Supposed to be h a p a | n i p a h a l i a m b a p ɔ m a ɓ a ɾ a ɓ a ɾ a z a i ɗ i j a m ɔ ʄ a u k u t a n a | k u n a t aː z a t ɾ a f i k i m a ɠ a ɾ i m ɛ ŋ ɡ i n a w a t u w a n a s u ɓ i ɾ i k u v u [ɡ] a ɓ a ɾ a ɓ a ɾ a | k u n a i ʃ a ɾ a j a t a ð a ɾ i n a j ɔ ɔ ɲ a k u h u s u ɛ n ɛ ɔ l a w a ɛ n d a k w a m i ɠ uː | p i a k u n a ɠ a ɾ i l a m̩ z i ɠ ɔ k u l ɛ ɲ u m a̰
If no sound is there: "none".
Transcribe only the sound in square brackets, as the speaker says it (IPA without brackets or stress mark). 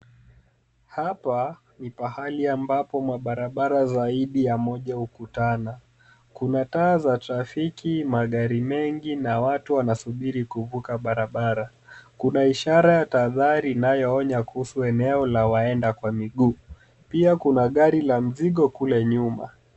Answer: k